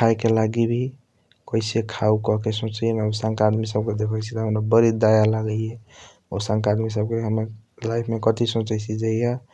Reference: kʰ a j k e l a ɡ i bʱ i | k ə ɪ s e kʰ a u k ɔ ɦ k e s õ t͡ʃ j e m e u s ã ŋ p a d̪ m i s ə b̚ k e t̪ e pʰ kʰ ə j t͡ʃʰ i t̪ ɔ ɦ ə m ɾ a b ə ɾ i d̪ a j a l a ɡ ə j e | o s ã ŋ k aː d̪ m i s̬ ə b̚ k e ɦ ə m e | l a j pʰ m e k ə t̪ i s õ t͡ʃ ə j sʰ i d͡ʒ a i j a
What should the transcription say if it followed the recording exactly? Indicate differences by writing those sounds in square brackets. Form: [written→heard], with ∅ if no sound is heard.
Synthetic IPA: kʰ a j k e l a ɡ i bʱ i | k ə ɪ s e kʰ a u k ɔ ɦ k e s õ t͡ʃ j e m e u s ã ŋ [p→k] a d̪ m i s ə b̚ k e [t̪→d̪] e [pʰ→∅] kʰ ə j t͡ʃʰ i t̪ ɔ ɦ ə m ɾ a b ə ɾ i d̪ a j a l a ɡ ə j e | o s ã ŋ k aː d̪ m i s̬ ə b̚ k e ɦ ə m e | l a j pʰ m e k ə t̪ i s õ t͡ʃ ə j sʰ i d͡ʒ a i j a